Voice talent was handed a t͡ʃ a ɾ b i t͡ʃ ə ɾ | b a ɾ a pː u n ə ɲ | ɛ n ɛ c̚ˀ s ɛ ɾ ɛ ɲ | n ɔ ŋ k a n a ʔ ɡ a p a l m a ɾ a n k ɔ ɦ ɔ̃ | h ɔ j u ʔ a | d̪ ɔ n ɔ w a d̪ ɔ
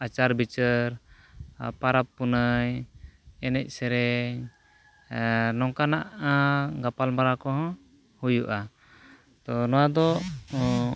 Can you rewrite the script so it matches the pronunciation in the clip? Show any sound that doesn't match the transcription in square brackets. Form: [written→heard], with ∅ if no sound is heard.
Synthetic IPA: a t͡ʃ a ɾ b i t͡ʃ ə ɾ | [b→p] a ɾ a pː u n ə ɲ | ɛ n ɛ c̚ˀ s ɛ ɾ ɛ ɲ | n ɔ ŋ k a n a ʔ ɡ a p a l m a ɾ a [n→∅] k ɔ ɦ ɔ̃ | h [ɔ→u] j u ʔ a | [d̪→t̪] ɔ n ɔ w a d̪ ɔ